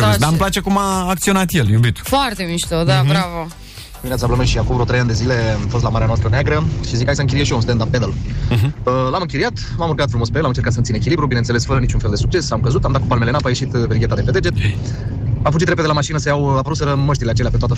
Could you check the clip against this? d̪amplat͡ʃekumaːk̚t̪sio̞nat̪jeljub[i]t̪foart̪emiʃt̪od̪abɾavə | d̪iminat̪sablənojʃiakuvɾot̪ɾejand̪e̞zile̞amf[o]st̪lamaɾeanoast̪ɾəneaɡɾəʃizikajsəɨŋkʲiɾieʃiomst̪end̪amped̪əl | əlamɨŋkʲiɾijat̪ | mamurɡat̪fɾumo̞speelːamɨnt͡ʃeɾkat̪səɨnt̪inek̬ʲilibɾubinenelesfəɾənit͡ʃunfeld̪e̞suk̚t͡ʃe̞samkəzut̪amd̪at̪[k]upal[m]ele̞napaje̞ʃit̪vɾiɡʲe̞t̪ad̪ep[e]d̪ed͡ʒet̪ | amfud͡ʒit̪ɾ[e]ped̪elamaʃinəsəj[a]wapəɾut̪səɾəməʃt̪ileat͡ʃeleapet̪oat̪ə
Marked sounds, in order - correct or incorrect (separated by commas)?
correct, correct, correct, correct, correct, correct, correct